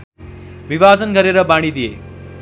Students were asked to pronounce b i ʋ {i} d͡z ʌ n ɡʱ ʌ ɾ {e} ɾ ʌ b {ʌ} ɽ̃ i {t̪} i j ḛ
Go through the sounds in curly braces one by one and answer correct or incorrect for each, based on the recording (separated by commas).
incorrect, correct, incorrect, incorrect